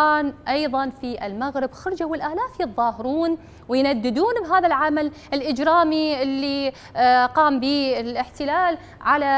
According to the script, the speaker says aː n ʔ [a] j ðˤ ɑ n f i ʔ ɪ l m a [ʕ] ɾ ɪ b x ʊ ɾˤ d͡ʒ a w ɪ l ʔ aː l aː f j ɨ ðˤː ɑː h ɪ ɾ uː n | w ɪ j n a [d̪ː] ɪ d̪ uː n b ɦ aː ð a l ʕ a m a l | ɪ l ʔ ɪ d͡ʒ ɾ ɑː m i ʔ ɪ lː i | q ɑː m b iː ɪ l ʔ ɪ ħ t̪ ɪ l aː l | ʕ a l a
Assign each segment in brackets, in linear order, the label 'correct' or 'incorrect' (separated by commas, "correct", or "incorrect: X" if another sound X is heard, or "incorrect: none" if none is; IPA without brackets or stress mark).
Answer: incorrect: ɑ, incorrect: ɣ, correct